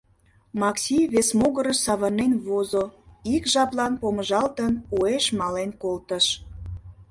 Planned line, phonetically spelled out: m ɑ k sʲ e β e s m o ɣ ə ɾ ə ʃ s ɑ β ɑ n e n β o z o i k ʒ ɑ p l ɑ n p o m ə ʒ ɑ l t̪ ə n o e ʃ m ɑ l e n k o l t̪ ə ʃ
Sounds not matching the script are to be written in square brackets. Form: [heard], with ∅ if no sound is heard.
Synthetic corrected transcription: m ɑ k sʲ [i] β e s m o ɣ ə ɾ ə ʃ s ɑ β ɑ n e n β o z o i k ʒ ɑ p l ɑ n p o m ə ʒ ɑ l t̪ ə n [u] e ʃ m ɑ l e n k o l t̪ ə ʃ